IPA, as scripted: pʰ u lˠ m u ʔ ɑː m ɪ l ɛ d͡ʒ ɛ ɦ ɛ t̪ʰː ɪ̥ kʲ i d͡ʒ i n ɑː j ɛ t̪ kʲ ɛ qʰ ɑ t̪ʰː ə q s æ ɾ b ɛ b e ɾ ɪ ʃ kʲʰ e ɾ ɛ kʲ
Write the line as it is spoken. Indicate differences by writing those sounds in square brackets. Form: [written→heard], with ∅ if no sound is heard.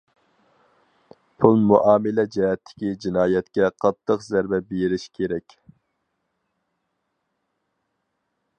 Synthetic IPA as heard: pʰ u lˠ m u ʔ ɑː m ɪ l ɛ d͡ʒ ɛ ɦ ɛ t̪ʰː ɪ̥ kʲ i d͡ʒ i n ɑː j ɛ t̪ kʲ ɛ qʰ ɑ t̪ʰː ə q [s→z] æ ɾ b ɛ b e ɾ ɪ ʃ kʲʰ e ɾ ɛ kʲ